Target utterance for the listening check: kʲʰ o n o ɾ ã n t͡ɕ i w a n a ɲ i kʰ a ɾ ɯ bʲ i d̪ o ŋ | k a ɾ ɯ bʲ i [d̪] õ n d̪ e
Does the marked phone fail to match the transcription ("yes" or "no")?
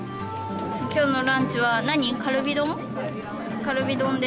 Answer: no